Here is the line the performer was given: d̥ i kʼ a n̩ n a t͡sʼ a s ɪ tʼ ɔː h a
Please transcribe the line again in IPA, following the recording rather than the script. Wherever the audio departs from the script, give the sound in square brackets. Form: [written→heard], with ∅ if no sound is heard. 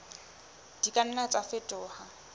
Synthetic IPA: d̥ i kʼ a n̩ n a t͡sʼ a [s→f] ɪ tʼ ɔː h a